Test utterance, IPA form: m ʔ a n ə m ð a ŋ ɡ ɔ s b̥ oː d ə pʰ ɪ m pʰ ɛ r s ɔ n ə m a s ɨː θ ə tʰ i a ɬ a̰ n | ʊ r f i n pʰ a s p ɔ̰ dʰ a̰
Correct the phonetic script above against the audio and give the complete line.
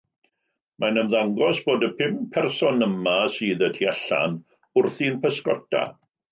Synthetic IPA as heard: m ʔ a n ə m ð a ŋ ɡ ɔ s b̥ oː d ə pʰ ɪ m pʰ ɛ r s ɔ n ə m a s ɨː ð ə tʰ i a ɬ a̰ n | ʊ r θ i n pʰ ə s k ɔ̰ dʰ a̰